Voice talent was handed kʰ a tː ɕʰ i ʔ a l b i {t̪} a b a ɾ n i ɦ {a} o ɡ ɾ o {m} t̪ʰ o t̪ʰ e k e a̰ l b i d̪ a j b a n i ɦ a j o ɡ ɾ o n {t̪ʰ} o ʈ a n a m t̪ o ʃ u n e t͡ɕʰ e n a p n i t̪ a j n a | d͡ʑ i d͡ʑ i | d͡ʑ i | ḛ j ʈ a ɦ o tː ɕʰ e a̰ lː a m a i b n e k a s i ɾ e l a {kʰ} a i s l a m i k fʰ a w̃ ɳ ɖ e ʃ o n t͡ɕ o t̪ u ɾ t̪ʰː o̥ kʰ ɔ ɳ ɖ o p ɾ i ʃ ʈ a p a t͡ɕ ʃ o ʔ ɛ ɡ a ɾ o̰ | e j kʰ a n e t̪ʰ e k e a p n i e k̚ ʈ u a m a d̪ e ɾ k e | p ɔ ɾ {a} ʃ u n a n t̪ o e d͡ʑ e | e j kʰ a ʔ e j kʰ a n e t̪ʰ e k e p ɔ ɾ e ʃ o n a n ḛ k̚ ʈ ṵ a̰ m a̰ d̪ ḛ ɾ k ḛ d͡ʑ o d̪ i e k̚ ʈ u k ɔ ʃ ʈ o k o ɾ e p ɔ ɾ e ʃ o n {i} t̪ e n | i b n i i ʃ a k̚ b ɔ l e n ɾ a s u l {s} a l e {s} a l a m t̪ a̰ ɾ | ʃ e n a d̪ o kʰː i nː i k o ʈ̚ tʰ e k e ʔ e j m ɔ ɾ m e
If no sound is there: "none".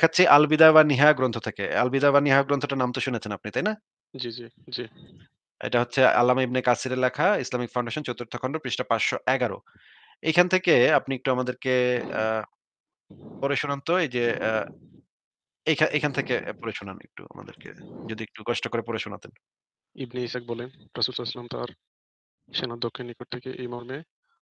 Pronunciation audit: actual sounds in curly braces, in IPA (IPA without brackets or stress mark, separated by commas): d̪, a, n, t̪ʰ, kʰ, e, a, s, s